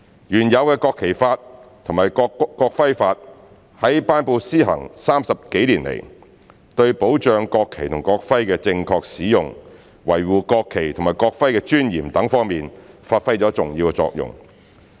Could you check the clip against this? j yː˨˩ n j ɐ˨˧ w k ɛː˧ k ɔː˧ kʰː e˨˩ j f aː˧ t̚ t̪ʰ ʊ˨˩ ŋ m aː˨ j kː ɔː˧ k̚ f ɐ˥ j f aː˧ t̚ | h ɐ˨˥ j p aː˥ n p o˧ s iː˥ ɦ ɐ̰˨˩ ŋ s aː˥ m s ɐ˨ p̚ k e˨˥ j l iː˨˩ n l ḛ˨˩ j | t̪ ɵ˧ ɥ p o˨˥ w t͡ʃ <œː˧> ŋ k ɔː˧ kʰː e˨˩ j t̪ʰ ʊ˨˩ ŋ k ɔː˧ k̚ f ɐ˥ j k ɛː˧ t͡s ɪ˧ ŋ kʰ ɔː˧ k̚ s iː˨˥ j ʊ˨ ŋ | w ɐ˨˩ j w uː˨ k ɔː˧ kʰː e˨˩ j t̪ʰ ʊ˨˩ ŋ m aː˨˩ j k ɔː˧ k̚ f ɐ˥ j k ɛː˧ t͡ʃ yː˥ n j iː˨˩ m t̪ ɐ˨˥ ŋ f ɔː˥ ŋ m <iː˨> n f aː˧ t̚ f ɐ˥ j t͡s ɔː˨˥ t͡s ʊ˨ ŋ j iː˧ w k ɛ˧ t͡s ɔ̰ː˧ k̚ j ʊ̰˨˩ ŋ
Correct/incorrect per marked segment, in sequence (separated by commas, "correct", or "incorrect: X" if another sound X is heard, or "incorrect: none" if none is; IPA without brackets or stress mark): correct, correct